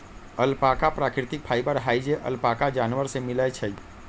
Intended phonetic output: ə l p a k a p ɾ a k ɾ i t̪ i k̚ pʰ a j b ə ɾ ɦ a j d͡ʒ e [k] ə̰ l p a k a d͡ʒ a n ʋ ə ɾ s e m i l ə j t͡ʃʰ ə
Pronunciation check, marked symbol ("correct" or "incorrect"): incorrect